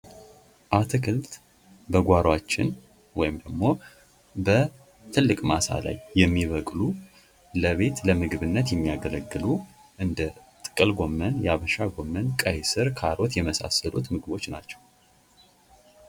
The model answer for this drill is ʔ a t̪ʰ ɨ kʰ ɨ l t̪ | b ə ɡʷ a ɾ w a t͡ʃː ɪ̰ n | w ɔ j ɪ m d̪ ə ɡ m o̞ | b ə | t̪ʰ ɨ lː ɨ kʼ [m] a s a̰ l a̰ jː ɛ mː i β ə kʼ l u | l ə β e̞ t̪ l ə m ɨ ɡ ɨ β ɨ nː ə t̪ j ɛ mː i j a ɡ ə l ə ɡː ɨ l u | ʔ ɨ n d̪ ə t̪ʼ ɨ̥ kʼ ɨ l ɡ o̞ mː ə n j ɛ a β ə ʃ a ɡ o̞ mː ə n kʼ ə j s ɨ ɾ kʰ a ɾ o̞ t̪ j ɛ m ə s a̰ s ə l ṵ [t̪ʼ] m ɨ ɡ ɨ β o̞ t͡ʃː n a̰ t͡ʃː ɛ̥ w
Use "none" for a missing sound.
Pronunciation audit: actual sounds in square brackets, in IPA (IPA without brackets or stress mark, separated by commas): m, t̪